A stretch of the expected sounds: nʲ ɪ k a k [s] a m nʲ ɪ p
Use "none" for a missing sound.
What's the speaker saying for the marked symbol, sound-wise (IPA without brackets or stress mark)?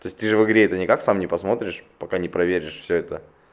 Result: s